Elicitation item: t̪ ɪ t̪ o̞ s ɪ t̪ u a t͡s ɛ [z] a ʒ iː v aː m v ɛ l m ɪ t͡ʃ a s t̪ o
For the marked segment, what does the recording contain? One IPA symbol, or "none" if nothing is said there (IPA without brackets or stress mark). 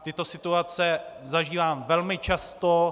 z